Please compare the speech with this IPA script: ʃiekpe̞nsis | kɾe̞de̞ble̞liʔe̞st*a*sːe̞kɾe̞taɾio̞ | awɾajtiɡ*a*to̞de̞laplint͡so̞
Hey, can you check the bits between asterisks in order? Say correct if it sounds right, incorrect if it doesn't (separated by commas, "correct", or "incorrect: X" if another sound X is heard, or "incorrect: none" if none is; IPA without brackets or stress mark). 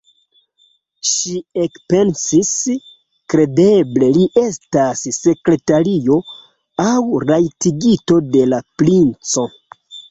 correct, incorrect: i